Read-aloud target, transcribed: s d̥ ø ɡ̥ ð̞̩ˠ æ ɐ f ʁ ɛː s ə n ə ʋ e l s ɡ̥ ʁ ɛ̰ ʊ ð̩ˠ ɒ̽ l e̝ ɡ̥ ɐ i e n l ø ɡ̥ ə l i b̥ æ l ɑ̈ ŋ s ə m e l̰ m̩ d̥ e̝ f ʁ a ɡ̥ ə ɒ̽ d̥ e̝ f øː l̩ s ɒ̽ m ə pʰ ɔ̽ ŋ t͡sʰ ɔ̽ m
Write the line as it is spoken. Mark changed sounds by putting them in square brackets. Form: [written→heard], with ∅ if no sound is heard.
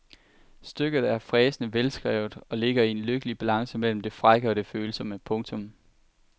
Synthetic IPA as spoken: s d̥ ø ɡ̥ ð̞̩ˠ æ ɐ f ʁ ɛː s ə n ə ʋ e l s ɡ̥ ʁ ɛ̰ ʊ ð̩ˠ ɒ̽ l e̝ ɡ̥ ɐ i e n l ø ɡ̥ ə l i b̥ æ l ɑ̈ ŋ s ə m e l̰ m̩ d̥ e̝ f ʁ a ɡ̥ ə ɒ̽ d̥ e̝ f øː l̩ s ɒ̽ m ə pʰ ɔ̽ ŋ t͡sʰ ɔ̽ m